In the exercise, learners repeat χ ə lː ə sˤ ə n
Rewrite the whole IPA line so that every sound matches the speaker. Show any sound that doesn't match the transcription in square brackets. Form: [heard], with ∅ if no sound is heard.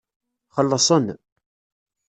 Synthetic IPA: χ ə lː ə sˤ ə n